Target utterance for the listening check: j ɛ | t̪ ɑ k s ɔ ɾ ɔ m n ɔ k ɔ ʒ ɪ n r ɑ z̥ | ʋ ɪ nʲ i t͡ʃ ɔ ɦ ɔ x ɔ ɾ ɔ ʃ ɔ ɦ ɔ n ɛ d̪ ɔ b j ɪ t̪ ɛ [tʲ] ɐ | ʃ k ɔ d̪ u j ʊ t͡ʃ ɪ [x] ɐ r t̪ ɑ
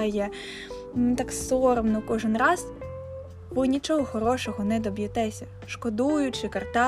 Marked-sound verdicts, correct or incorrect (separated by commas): incorrect, incorrect